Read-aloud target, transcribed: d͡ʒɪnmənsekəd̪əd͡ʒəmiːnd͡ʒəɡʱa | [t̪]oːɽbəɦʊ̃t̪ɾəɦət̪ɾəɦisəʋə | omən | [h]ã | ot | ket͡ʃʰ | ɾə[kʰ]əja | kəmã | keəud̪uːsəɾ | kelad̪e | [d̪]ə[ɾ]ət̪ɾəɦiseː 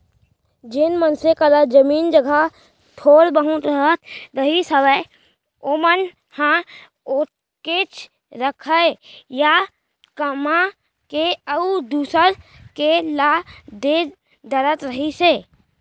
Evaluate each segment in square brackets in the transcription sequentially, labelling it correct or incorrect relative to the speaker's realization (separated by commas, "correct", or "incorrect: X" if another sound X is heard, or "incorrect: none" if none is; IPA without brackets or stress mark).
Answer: incorrect: t̪ʰ, correct, correct, correct, correct